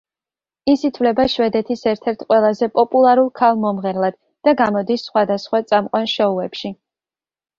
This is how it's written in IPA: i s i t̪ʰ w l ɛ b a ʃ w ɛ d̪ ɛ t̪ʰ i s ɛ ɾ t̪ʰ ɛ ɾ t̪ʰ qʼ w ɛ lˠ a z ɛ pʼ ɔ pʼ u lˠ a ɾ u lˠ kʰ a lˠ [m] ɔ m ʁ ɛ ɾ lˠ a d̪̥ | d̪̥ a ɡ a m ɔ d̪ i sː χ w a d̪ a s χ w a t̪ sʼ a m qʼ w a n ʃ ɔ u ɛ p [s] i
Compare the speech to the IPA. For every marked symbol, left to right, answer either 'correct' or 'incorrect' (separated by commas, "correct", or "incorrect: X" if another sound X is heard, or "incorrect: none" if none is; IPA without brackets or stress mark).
correct, incorrect: ʃ